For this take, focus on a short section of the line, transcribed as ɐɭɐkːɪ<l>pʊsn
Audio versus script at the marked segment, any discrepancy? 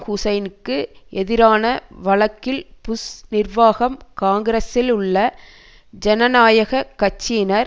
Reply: no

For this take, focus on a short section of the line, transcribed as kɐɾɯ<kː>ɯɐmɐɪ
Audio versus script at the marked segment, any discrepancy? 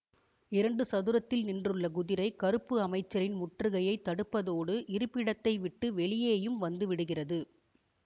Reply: yes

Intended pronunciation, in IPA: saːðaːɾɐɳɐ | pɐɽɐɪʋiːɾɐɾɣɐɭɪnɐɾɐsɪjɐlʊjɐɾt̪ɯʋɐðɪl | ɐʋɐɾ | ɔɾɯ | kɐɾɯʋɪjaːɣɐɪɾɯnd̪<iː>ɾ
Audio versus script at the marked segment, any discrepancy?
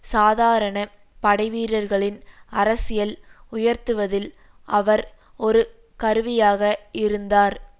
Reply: yes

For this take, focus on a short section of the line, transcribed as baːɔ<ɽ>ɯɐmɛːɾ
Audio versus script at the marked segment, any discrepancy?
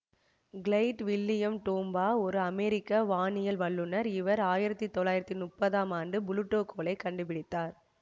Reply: yes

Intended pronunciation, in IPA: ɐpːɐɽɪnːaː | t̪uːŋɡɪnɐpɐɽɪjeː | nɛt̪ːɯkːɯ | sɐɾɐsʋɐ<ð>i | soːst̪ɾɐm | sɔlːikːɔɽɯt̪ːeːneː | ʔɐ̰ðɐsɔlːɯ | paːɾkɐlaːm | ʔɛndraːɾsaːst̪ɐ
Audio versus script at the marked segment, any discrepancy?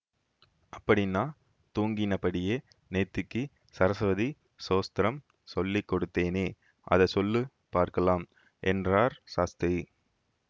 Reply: no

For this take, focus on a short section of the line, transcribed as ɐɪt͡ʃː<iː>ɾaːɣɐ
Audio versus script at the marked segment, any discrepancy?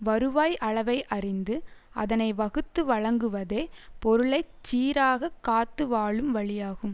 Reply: no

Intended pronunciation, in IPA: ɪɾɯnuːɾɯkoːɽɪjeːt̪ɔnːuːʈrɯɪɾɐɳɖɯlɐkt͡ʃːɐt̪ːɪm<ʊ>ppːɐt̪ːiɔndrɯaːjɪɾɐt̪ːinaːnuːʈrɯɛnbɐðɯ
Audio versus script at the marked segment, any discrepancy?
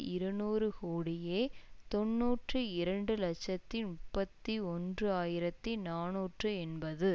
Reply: no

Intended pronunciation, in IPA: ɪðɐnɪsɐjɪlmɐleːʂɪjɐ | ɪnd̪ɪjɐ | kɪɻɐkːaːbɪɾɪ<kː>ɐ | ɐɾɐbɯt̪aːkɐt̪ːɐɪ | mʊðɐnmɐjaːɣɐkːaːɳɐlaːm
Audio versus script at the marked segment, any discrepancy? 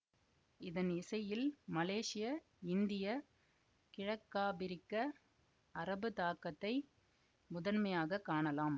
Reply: no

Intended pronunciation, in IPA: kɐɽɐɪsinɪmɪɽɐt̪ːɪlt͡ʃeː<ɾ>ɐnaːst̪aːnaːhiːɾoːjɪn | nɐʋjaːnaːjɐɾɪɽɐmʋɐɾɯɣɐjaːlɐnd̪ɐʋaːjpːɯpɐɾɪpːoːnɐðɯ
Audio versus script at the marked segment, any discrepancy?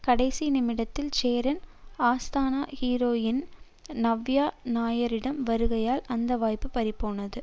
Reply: no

